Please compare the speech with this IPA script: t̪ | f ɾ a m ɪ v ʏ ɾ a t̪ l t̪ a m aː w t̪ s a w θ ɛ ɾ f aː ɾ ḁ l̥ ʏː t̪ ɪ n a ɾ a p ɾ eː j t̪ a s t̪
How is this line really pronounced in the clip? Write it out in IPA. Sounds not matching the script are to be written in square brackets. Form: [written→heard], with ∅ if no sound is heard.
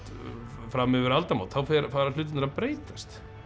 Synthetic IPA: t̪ | f ɾ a m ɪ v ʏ ɾ a [t̪→∅] l t̪ a m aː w t̪ [s→θ] a w [θ→f] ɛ ɾ f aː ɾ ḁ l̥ ʏː t̪ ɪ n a ɾ a p ɾ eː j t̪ a s t̪